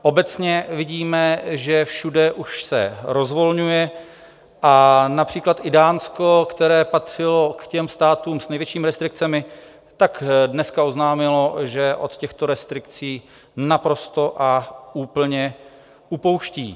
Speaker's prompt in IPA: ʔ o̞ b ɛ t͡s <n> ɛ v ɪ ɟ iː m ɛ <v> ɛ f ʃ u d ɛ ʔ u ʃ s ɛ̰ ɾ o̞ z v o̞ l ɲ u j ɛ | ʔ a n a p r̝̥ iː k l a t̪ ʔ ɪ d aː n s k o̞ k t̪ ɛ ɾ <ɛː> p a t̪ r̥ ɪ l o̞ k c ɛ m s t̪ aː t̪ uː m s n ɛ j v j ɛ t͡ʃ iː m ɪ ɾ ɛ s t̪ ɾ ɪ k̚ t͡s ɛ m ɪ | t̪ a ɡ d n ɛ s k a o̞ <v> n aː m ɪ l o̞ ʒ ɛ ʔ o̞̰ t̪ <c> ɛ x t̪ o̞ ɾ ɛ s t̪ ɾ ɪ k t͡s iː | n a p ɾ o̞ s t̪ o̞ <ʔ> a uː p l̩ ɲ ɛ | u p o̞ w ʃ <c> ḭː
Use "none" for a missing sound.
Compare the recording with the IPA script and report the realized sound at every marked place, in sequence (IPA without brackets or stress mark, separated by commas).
ɲ, ʒ, ɛː, z, c, ʔ, c